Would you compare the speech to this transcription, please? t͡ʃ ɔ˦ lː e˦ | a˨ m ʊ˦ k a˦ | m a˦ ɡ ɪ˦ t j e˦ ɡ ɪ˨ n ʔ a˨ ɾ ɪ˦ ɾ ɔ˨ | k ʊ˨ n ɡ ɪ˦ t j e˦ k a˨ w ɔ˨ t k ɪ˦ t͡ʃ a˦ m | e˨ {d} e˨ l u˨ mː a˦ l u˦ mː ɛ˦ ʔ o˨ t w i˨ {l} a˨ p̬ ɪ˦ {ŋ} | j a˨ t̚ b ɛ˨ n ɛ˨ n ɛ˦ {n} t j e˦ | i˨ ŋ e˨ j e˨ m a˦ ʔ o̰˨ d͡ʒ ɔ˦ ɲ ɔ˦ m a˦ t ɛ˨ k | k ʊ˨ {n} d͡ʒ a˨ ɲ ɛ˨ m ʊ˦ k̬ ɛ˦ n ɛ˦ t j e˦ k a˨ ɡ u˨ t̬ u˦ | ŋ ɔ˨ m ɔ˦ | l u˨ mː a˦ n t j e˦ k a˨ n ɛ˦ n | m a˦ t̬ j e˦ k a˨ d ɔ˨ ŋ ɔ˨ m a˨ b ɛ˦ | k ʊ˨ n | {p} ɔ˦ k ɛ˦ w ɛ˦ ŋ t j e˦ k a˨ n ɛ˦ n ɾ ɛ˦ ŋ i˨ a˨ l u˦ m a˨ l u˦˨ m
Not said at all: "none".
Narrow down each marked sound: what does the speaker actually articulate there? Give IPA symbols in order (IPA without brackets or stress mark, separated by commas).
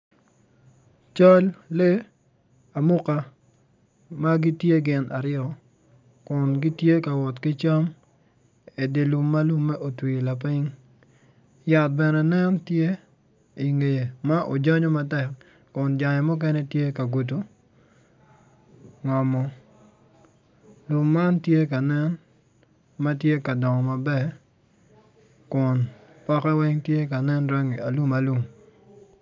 d, l, ŋ, n, n, p